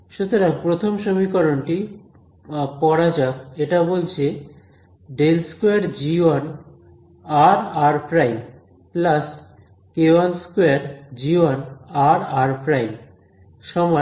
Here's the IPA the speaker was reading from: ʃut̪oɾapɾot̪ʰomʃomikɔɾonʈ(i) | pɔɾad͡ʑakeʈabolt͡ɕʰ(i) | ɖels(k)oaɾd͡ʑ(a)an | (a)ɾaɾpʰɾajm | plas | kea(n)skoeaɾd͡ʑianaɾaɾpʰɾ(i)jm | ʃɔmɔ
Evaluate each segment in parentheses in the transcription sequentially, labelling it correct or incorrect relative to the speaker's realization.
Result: correct, incorrect, correct, incorrect, correct, correct, incorrect

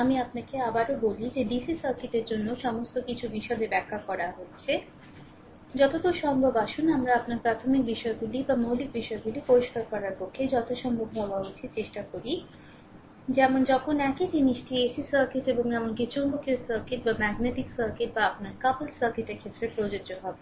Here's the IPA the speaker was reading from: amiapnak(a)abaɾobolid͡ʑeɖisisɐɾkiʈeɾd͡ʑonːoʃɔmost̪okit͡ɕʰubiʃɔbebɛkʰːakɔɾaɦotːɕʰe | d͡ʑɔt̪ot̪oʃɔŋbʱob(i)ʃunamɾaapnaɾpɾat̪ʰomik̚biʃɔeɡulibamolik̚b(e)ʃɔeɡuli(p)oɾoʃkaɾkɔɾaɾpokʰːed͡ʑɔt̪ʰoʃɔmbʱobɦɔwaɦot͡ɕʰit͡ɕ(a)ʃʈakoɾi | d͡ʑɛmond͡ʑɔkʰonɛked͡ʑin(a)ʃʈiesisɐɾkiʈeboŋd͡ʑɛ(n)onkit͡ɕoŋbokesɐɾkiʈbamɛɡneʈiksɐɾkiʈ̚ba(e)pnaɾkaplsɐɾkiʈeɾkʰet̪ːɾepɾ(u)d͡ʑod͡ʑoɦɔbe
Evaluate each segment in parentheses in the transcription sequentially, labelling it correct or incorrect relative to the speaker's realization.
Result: incorrect, incorrect, incorrect, correct, incorrect, incorrect, incorrect, incorrect, incorrect

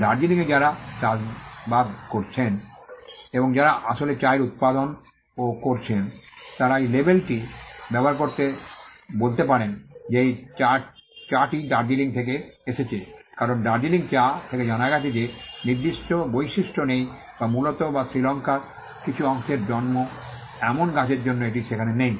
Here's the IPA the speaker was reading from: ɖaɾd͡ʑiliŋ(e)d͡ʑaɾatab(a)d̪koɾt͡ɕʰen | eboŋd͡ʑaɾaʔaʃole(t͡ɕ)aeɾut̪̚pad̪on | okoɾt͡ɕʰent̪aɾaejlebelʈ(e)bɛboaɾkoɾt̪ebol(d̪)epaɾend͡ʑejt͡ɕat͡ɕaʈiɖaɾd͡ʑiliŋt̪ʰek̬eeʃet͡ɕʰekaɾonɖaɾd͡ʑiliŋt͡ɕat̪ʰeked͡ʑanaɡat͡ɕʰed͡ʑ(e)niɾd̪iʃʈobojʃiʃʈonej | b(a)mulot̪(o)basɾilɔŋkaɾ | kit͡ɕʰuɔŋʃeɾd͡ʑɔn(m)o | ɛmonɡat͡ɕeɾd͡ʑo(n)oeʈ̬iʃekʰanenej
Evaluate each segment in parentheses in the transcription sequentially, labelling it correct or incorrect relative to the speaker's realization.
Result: correct, correct, correct, incorrect, incorrect, correct, correct, correct, correct, incorrect

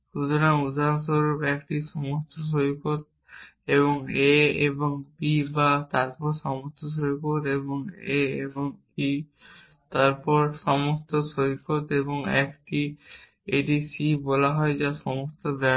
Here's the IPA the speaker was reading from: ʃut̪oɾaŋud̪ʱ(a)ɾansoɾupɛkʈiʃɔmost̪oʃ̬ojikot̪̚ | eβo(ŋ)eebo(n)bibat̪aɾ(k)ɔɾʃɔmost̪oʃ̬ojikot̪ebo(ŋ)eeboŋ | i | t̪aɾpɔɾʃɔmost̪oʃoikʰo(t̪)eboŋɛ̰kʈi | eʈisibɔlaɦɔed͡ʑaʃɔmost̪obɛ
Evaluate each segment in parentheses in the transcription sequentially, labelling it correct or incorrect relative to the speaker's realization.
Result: correct, correct, incorrect, incorrect, correct, correct

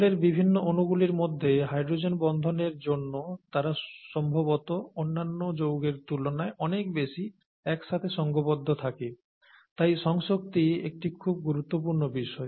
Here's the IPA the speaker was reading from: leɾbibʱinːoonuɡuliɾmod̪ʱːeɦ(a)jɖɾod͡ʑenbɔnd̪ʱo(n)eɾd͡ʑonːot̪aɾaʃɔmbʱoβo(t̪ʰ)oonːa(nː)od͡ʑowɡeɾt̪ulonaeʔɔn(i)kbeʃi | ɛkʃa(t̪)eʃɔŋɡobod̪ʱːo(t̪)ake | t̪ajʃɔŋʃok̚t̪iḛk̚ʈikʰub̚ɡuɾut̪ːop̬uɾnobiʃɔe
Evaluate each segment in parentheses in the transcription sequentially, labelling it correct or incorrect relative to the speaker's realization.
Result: correct, correct, incorrect, correct, incorrect, incorrect, incorrect

